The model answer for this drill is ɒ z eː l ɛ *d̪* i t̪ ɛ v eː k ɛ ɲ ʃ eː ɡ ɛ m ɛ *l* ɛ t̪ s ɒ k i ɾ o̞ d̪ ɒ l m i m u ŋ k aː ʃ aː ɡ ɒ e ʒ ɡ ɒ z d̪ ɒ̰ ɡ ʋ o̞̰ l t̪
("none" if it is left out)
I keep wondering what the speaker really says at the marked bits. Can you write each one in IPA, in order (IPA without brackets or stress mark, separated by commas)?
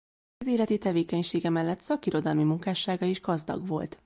t̪, lː